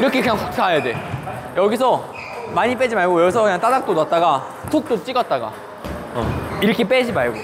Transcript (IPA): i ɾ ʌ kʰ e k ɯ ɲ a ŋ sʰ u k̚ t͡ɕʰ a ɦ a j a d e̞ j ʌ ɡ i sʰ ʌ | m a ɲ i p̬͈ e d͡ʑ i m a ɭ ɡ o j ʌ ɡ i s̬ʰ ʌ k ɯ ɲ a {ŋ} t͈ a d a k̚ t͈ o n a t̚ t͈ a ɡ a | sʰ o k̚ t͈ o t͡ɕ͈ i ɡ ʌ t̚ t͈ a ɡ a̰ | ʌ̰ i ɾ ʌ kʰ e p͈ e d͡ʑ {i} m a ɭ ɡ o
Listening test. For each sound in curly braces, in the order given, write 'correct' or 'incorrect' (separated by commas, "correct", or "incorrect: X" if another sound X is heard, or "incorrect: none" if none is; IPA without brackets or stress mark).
correct, correct